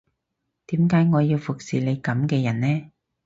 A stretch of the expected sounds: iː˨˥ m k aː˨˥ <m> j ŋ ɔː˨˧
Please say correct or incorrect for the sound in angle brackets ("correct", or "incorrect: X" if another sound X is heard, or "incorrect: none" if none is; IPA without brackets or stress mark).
incorrect: none